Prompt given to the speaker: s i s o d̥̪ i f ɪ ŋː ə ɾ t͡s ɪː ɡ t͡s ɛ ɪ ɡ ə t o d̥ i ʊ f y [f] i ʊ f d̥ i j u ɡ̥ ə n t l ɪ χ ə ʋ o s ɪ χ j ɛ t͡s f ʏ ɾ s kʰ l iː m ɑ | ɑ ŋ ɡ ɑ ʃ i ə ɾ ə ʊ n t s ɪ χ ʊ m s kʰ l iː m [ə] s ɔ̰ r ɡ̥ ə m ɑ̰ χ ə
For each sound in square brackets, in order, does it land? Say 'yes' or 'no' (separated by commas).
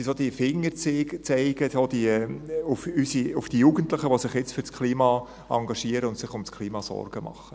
no, no